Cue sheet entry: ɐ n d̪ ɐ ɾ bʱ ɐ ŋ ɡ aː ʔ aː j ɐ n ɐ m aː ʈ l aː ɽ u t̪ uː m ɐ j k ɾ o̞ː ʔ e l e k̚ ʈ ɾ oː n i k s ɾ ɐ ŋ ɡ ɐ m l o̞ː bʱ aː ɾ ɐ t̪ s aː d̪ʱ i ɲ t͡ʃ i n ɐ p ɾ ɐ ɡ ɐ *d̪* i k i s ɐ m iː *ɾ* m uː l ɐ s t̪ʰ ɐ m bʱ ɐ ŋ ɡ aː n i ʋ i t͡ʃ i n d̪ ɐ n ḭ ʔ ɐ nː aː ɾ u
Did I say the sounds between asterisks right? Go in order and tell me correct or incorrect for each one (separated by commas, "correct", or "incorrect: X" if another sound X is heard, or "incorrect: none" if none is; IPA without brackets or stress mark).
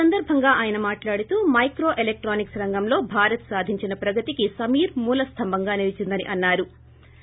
incorrect: t̪, correct